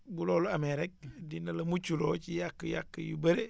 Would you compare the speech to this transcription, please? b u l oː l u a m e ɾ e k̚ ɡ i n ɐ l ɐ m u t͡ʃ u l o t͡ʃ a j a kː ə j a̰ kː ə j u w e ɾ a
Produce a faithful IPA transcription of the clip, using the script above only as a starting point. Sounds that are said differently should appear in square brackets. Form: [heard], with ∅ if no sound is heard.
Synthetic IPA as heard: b u l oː l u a m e ɾ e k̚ [d] i n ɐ l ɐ m u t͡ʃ u l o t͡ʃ [i] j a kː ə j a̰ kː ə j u [b] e ɾ [e]